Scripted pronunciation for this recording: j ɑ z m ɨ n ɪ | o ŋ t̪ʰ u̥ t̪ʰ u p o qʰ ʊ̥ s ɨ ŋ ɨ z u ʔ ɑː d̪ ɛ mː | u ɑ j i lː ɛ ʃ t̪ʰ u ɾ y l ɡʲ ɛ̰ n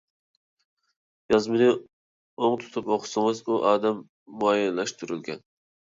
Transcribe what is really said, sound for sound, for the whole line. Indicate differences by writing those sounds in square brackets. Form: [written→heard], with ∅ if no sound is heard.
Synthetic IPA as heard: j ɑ z m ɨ n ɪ | o ŋ t̪ʰ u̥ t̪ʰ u p o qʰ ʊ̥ s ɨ ŋ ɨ z u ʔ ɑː d̪ ɛ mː | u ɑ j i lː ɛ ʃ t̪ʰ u ɾ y l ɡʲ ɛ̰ n

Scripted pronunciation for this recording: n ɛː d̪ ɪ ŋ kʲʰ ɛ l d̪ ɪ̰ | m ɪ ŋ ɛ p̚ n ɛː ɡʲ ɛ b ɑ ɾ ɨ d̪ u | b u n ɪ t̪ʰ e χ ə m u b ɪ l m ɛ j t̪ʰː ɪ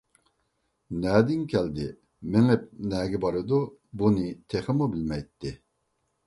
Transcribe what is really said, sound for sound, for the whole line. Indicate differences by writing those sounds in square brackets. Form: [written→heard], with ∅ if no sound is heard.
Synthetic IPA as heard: n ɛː d̪ ɪ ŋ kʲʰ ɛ l d̪ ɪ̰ | m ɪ ŋ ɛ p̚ n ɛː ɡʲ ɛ b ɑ ɾ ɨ d̪ u | b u n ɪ t̪ʰ e χ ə m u b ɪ l m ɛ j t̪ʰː ɪ

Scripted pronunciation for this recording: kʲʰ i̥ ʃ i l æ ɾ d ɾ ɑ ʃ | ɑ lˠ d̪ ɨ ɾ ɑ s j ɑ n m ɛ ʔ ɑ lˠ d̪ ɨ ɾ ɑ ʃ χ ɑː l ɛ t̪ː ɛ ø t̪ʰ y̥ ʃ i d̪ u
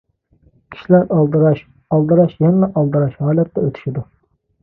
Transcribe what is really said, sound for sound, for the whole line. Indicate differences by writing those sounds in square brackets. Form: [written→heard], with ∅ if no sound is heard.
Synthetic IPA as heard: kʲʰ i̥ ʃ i l æ ɾ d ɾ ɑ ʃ | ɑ lˠ d̪ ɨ ɾ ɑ [s→ʃ] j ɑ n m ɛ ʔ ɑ lˠ d̪ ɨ ɾ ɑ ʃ [χ→h] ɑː l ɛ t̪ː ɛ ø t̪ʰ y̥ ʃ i d̪ u

